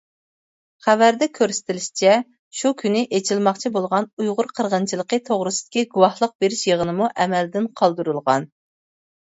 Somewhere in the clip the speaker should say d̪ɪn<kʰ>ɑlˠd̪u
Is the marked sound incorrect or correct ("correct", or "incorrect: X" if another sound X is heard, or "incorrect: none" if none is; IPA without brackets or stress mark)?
incorrect: qʰ